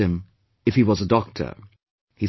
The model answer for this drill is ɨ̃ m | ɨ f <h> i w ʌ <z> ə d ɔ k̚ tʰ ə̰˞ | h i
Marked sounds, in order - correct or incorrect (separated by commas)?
correct, correct